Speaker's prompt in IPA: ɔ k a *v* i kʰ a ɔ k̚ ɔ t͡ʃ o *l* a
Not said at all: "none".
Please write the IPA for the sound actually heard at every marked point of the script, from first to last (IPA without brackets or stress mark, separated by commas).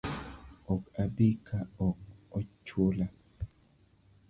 b, l